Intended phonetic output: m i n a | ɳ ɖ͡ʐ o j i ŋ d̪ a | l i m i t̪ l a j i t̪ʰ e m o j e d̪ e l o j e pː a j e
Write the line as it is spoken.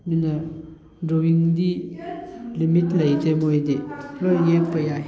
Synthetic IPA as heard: m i n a | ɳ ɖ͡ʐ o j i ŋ d̪ i | l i m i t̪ l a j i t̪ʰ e m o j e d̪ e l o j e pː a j a

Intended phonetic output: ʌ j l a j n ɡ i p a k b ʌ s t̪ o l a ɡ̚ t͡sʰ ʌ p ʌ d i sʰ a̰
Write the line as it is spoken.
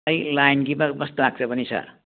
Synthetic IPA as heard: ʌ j l a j n ɡ i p a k b ʌ s t̪ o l a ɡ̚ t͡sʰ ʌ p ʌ n i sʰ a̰

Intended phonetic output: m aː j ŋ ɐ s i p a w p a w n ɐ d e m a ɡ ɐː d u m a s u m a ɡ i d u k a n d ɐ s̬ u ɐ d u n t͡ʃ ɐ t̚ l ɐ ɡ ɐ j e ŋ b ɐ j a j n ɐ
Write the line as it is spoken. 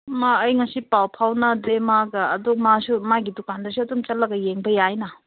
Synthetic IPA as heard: m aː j ŋ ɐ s i p a w pʰ a w n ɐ d e m a ɡ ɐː d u m a s u m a ɡ i d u k a n d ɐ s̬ u ɐ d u m t͡ʃ ɐ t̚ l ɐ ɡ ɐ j e ŋ b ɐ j a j n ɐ

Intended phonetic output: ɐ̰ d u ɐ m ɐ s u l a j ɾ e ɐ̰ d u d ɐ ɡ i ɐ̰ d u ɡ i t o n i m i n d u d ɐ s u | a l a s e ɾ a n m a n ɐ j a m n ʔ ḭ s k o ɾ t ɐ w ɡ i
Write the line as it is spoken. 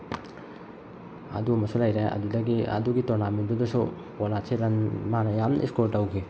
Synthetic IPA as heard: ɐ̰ d u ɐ m ɐ s u l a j ɾ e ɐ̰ d u d ɐ ɡ i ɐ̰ d u ɡ i t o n a m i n d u d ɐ s u | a l a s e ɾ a n m a n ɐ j a m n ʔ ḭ s k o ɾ t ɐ w ɡ i

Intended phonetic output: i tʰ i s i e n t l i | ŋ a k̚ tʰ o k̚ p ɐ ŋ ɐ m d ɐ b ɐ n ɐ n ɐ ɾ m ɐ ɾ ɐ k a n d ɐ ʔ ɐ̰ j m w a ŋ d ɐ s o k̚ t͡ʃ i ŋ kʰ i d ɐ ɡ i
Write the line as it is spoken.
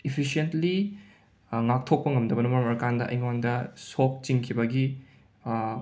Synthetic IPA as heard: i pʰ i s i e n t l i | ŋ a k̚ tʰ o k̚ p ɐ ŋ ɐ m d ɐ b ɐ n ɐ m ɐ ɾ m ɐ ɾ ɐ k a n d ɐ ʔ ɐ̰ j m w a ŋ d ɐ s o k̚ t͡ʃ i ŋ kʰ i b ɐ ɡ i

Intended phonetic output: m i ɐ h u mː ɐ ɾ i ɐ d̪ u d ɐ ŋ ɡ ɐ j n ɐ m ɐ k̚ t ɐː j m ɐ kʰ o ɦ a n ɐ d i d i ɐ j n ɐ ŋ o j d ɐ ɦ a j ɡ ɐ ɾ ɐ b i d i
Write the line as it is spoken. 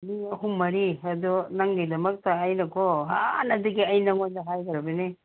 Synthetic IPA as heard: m i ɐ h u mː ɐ ɾ i ɐ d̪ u n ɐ ŋ ɡ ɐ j d ɐ m ɐ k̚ t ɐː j n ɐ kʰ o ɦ a n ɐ d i ɡ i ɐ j n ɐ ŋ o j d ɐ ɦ a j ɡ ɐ ɾ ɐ b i n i

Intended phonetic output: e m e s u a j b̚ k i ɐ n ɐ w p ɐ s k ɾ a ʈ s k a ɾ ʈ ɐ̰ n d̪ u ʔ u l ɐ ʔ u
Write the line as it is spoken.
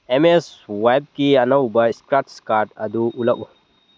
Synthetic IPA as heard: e m e s w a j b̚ k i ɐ n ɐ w b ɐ s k ɾ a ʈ s k a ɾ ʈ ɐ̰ d̪ u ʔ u l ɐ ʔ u

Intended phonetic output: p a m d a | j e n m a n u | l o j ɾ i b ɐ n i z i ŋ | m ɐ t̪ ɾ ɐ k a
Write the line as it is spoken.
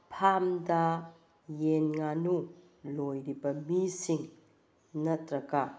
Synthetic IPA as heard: pʰ a m d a | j e n ŋ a n u | l o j ɾ i b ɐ m i s i ŋ | n ɐ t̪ ɾ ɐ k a

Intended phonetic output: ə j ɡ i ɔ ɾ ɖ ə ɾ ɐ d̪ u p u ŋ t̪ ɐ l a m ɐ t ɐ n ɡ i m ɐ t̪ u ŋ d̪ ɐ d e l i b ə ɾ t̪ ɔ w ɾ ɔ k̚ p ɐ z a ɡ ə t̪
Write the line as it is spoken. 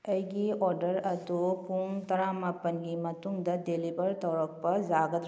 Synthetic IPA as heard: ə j ɡ i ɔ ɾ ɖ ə ɾ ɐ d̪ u p u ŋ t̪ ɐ ɾ a m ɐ p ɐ n ɡ i m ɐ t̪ u ŋ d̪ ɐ d e l i b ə ɾ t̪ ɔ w ɾ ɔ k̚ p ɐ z a ɡ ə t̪

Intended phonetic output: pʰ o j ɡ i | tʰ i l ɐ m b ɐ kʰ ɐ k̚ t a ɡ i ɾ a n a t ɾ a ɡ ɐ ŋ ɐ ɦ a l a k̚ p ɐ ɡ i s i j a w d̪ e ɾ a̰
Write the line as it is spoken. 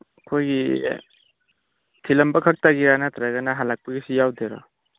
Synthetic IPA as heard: kʰ o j ɡ i | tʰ i l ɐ m b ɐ kʰ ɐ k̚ t a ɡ i ɾ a n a t ɾ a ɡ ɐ n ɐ ɦ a l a k̚ p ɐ ɡ i s i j a w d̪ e ɾ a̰

